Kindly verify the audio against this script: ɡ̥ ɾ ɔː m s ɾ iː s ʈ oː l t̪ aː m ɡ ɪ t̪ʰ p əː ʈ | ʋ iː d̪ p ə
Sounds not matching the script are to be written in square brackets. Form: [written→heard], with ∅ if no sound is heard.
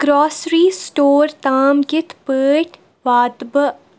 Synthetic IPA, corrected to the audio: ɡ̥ ɾ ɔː [m→∅] s ɾ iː s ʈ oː [l→ɾ] t̪ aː m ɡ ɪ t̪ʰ p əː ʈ | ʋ [iː→aː] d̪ [p→b] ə